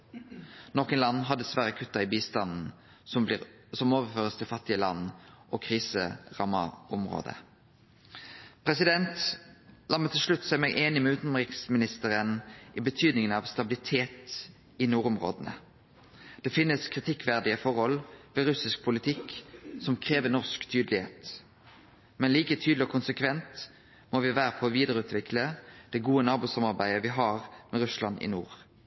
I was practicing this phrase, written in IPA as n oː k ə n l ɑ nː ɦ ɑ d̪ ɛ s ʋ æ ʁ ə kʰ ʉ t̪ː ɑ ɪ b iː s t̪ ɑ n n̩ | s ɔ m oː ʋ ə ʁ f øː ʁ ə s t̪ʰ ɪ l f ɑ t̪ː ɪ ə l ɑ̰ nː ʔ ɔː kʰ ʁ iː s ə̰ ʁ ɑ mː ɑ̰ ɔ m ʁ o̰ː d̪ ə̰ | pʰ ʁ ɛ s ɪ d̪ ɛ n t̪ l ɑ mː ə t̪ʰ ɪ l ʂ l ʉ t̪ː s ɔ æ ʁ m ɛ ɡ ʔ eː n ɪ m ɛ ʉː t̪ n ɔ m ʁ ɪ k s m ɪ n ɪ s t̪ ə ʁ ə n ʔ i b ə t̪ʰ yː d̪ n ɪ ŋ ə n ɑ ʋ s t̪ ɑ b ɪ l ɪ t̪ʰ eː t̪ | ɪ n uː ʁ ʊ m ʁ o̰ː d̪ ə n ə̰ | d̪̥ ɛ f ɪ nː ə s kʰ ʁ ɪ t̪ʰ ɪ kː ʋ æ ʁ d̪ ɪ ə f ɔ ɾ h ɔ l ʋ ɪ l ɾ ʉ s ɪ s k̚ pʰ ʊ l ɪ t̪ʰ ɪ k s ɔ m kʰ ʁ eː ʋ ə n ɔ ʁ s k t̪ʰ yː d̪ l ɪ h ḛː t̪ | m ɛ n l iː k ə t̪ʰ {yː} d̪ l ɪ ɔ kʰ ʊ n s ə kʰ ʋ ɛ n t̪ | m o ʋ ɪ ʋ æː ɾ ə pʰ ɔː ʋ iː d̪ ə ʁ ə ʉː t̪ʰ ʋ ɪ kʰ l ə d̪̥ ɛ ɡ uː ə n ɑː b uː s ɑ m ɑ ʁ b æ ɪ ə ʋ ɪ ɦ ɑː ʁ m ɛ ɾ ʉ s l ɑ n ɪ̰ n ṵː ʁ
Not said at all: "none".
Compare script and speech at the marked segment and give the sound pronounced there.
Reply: yː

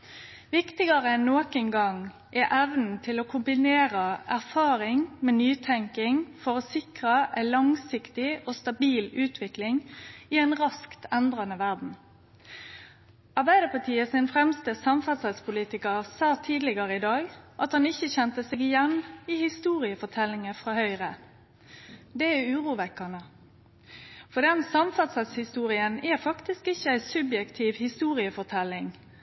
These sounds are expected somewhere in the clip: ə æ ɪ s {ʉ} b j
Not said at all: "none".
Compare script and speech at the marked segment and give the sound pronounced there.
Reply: ʉ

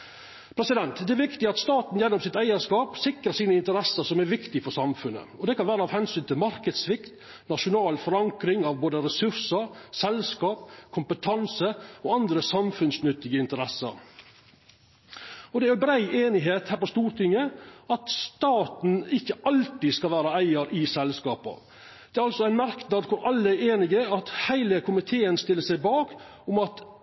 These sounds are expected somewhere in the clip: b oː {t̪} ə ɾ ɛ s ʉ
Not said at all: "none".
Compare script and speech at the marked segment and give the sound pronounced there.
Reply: d̪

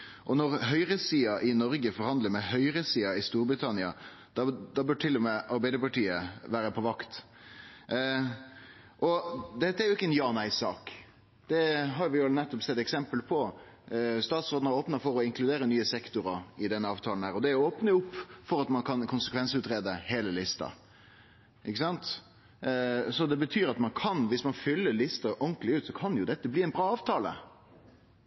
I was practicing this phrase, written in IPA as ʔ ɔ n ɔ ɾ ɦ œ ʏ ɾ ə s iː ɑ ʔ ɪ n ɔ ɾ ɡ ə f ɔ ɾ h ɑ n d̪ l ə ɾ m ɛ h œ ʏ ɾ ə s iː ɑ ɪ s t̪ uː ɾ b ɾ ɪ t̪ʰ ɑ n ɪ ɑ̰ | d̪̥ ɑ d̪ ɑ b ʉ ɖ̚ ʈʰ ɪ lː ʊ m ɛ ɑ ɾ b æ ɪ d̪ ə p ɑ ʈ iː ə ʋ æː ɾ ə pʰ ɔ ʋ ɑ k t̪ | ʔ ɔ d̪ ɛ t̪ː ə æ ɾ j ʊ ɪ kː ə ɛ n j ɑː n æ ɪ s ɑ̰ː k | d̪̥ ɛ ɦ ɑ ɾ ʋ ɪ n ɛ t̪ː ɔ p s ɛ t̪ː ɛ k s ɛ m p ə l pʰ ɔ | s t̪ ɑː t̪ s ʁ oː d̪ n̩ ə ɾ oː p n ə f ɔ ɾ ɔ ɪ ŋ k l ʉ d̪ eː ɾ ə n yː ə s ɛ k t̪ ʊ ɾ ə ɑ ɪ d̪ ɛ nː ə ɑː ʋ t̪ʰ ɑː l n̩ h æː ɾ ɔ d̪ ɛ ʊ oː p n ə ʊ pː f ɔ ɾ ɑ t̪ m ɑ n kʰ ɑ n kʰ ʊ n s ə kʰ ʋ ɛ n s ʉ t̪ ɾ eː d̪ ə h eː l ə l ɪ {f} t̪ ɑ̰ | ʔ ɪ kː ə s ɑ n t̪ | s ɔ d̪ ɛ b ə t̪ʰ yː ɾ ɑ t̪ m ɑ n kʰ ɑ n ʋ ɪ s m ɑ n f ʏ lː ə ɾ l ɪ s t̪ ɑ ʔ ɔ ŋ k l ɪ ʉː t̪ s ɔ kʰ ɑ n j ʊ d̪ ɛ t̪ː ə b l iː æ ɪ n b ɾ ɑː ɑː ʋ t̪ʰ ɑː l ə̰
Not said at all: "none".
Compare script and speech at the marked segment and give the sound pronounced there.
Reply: s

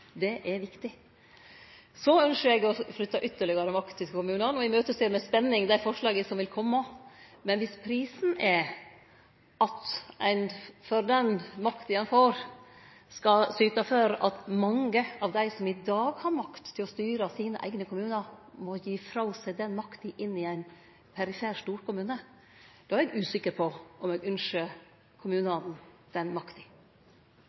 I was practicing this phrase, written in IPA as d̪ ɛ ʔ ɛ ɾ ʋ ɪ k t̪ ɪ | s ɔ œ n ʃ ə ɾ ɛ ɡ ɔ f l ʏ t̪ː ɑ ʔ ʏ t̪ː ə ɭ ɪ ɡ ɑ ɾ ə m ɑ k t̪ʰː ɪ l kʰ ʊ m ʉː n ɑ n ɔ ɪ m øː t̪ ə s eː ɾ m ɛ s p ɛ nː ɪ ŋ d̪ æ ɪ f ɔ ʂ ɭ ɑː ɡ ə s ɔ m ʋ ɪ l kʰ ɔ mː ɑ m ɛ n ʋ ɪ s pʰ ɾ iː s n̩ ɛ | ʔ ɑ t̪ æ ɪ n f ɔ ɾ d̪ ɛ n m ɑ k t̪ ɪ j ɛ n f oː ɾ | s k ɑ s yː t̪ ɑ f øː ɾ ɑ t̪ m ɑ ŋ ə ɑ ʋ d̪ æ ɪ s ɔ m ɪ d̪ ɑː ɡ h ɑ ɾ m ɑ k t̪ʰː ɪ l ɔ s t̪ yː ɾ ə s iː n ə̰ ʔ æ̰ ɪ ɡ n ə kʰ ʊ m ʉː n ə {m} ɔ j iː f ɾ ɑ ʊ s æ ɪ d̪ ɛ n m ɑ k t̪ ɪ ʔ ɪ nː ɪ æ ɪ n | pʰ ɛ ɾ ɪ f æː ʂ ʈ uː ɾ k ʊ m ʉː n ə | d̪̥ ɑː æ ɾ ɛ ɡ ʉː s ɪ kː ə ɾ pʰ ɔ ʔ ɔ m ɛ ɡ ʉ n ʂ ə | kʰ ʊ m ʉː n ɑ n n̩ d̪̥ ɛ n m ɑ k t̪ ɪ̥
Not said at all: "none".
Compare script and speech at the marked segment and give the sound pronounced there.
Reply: m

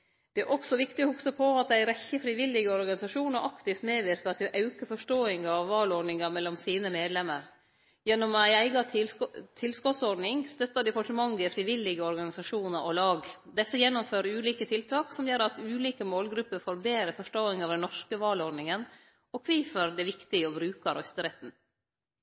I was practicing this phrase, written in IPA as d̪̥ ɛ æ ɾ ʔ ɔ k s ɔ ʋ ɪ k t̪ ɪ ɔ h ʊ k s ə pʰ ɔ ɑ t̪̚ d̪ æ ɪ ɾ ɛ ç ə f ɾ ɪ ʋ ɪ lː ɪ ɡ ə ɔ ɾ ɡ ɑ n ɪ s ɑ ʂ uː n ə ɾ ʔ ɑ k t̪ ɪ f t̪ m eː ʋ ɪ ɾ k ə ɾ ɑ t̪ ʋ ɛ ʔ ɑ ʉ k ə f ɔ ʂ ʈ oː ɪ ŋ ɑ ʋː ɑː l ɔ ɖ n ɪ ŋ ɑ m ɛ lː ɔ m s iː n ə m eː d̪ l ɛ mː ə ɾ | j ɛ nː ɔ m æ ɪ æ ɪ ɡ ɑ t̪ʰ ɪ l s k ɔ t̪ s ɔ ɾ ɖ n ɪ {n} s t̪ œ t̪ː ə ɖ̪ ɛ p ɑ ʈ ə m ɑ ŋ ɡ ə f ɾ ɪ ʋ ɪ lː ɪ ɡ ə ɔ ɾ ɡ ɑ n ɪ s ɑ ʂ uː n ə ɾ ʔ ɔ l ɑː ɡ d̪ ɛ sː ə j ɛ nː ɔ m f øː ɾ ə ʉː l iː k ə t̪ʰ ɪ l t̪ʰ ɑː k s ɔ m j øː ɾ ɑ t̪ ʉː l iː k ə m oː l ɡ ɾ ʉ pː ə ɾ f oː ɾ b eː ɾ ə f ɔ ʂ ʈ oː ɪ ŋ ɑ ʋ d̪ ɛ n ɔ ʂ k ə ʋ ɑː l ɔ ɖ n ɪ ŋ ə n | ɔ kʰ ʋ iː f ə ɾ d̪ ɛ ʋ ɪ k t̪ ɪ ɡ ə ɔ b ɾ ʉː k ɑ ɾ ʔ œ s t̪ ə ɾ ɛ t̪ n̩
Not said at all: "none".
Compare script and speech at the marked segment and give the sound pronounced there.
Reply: ŋ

